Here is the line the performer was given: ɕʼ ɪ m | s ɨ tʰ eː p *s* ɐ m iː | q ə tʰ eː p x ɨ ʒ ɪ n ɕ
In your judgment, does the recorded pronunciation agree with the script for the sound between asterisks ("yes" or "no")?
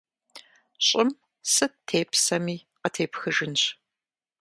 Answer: yes